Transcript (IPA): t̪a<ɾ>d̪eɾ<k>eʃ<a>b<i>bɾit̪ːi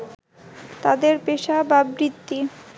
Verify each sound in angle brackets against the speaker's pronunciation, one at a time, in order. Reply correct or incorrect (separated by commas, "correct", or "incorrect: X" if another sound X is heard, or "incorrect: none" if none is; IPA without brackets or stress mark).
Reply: incorrect: none, incorrect: p, correct, incorrect: a